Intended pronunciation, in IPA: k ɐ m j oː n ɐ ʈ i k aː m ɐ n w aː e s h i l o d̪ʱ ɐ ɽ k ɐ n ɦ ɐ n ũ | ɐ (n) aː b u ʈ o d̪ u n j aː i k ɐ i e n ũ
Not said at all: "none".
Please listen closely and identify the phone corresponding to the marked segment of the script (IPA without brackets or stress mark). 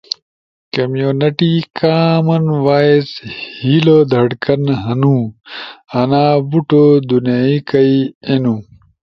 n